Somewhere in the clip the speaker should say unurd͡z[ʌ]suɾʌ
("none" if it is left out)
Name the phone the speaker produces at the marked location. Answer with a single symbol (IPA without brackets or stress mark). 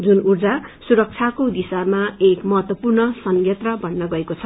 a